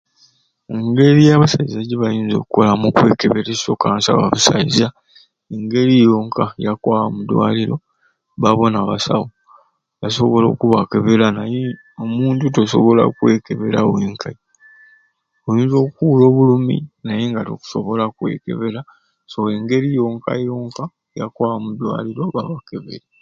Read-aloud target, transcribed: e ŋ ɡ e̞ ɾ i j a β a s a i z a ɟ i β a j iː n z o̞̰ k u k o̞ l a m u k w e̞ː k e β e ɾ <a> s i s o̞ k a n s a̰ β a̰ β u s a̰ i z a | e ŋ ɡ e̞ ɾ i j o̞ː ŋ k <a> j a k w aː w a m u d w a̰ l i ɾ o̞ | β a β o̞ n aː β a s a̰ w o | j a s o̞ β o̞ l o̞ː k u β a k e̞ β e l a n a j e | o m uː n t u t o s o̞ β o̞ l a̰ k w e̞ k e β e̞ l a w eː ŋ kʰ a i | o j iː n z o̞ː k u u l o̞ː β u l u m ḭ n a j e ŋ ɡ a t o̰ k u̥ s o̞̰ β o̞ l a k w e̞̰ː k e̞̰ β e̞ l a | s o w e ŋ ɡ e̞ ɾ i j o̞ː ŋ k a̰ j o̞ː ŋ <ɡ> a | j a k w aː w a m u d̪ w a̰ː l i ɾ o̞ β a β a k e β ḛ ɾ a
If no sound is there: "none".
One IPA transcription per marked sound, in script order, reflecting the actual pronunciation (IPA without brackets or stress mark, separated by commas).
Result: e, a, k